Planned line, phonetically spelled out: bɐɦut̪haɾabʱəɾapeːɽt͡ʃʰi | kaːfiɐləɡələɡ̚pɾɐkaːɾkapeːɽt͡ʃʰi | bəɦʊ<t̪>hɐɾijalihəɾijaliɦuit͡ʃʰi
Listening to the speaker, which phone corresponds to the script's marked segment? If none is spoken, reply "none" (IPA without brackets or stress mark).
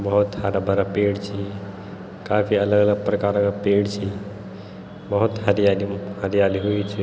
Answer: t̪